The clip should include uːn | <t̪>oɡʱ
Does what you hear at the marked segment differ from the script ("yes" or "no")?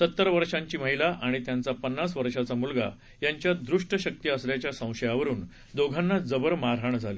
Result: yes